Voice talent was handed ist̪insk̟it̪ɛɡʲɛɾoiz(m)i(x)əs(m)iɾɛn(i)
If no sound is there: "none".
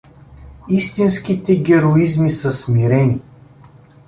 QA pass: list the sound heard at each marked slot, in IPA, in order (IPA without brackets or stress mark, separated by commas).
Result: m, s, m, i